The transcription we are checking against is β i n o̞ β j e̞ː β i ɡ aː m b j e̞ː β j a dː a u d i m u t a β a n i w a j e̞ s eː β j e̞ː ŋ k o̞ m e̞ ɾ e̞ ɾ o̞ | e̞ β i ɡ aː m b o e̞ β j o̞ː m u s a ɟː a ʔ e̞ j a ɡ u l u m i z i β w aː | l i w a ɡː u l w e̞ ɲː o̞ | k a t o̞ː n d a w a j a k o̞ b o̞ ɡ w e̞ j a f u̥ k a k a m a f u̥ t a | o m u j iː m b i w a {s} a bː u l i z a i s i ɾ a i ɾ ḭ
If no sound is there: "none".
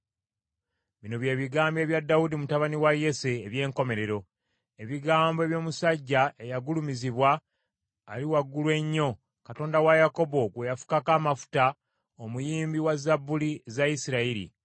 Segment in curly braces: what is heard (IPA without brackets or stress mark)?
z